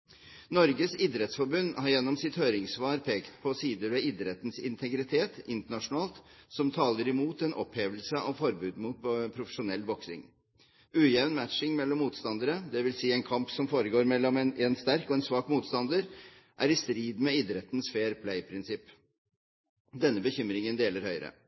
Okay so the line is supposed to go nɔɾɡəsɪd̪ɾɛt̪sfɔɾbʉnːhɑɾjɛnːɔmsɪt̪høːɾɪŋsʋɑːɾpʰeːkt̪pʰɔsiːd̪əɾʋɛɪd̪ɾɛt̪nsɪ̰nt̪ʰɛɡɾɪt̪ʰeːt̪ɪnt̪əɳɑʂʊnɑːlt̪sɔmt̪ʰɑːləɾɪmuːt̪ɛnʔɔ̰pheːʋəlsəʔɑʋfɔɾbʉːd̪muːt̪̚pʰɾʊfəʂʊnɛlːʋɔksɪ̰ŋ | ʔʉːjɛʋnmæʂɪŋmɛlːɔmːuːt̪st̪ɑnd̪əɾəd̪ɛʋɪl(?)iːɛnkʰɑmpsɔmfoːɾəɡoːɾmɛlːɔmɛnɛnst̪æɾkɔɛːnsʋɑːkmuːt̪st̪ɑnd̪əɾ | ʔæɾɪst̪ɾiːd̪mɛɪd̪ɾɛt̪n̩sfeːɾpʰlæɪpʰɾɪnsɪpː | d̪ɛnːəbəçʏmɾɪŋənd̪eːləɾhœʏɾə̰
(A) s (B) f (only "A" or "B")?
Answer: A